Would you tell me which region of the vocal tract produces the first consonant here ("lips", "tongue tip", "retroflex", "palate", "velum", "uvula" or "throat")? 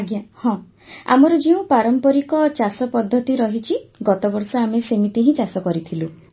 velum